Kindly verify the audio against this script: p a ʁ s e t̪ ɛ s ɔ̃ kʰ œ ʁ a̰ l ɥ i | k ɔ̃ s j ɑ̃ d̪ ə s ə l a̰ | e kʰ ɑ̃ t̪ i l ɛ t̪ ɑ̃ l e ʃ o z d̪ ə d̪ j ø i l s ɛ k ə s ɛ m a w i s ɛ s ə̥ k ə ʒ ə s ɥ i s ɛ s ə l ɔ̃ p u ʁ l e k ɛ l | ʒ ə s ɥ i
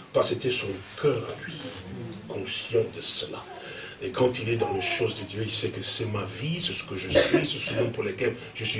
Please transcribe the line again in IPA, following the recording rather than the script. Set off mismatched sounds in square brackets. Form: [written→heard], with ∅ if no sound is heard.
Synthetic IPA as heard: p a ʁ s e t̪ ɛ s ɔ̃ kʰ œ ʁ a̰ l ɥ i | k ɔ̃ s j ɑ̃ d̪ ə s ə l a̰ | e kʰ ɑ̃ t̪ i l ɛ [t̪→d̪] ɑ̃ l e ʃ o z d̪ ə d̪ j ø i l s ɛ k ə s ɛ m a [w→v] i s ɛ s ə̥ k ə ʒ ə s ɥ i s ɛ s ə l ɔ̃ p u ʁ l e k ɛ l | ʒ ə s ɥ i